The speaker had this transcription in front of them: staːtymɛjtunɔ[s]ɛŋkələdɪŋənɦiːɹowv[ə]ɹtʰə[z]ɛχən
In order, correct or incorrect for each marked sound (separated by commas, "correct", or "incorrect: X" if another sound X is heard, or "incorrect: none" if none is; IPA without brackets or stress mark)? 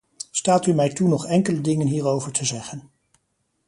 incorrect: χ, correct, correct